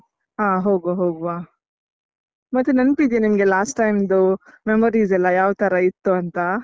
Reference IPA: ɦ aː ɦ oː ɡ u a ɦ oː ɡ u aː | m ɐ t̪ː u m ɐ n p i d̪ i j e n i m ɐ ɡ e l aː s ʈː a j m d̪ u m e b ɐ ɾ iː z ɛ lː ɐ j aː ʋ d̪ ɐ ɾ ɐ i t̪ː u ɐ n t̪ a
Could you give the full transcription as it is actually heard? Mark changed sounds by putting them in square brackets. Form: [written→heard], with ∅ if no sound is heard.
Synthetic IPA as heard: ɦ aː ɦ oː ɡ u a ɦ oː ɡ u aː | m ɐ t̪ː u [m→n] ɐ n p i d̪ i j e n i m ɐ ɡ e l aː s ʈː a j m d̪ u m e [b→m] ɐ ɾ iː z ɛ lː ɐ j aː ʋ [d̪→t̪] ɐ ɾ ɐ i t̪ː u ɐ n t̪ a